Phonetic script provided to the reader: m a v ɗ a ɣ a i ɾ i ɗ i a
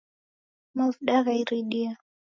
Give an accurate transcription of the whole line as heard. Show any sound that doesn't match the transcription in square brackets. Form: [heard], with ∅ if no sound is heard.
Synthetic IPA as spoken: m a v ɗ a ɣ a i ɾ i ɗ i a